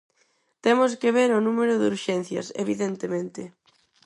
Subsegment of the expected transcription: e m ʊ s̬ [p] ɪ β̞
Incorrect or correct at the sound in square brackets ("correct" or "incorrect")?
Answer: incorrect